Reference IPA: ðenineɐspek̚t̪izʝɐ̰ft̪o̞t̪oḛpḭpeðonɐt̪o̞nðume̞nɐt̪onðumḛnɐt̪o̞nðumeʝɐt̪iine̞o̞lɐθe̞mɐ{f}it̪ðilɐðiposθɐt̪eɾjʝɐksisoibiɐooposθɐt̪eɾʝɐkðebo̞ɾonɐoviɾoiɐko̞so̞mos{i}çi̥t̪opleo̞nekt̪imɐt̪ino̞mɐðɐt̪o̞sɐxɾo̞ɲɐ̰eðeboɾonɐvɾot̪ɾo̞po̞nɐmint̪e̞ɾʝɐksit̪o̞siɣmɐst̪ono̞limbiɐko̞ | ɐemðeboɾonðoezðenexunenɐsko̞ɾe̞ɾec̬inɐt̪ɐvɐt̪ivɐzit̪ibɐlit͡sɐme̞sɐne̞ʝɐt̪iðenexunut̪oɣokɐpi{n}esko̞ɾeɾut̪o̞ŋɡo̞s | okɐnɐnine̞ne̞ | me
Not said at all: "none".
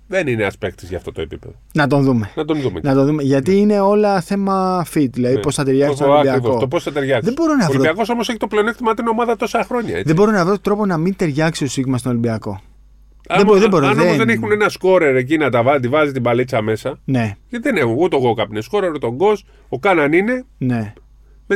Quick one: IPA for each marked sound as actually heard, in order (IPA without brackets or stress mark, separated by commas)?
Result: f, e, n